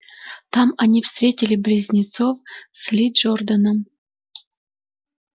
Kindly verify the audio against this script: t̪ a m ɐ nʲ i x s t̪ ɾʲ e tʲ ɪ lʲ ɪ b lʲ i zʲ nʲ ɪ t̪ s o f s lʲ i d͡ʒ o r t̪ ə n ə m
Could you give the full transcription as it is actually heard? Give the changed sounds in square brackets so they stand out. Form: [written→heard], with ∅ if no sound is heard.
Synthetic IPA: t̪ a m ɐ nʲ i [x→f] s t̪ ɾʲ e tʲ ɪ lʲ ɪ b lʲ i zʲ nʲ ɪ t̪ s o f s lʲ i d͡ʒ o r [t̪→d̪] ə n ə m